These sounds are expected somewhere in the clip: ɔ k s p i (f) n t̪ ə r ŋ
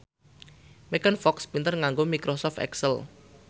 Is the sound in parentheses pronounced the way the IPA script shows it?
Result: no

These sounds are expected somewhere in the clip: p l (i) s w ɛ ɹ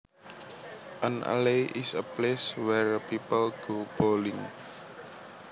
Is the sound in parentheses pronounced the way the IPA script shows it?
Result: no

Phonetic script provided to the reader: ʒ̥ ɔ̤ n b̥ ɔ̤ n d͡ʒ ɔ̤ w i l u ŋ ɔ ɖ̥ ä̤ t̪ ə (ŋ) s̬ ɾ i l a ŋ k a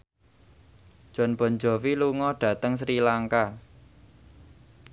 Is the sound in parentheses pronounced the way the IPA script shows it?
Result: yes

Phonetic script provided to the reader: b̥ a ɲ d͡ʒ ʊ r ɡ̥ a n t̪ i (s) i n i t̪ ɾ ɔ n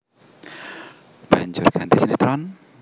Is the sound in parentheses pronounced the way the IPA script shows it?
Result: yes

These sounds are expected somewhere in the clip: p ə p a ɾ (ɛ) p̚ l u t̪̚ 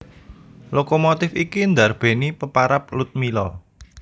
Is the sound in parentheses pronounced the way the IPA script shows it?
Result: no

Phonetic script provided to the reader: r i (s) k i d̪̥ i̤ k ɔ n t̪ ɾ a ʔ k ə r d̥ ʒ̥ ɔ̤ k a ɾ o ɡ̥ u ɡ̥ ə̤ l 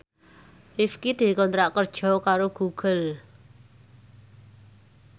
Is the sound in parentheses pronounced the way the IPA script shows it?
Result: no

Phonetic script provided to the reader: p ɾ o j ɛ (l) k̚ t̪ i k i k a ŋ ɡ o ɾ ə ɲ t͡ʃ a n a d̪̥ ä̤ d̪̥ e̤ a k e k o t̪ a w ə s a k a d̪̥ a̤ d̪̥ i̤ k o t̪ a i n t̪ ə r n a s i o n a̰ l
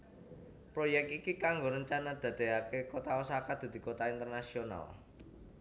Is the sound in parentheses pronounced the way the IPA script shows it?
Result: no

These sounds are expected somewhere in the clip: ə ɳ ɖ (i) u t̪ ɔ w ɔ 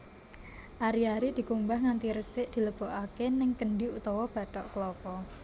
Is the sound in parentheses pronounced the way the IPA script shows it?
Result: yes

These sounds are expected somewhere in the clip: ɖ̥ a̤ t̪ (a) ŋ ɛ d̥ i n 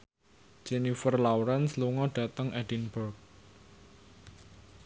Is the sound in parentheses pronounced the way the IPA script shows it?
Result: no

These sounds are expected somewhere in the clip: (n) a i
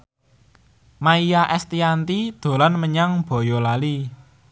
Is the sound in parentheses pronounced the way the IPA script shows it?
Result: no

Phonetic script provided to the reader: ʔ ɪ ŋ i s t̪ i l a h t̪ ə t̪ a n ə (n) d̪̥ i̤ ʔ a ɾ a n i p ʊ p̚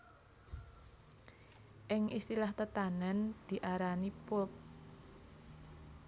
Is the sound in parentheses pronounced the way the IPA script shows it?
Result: yes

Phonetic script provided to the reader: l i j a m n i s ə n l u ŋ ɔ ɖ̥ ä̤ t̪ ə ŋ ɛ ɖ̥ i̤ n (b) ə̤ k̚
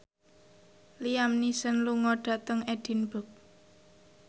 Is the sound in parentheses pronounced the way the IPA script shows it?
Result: yes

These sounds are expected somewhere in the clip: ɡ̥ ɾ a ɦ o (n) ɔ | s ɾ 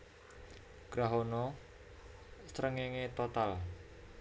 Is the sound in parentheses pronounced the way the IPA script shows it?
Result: yes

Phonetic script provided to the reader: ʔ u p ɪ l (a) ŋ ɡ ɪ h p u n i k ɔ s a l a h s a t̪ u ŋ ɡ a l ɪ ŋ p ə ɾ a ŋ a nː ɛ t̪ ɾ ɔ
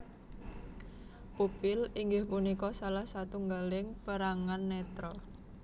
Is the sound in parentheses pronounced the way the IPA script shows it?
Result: no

